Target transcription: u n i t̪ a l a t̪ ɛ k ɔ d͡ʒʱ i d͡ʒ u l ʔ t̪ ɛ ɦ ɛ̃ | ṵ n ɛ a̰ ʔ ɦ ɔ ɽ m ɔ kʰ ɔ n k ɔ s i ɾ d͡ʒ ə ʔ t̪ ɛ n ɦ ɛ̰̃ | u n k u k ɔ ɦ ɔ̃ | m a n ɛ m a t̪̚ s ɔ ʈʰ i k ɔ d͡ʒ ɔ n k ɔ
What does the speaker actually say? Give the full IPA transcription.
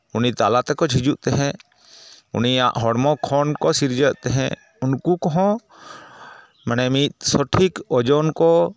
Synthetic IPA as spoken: u n i t̪ a l a t̪ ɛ k ɔ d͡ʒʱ i d͡ʒ u ʔ t̪ ɛ ɦ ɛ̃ | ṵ n i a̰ ʔ ɦ ɔ ɽ m ɔ kʰ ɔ n k ɔ s i ɾ d͡ʒ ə ʔ t̪ ɛ ɦ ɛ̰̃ | u n k u k ɔ ɦ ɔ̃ | m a n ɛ m i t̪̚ s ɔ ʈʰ i k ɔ d͡ʒ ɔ n k ɔ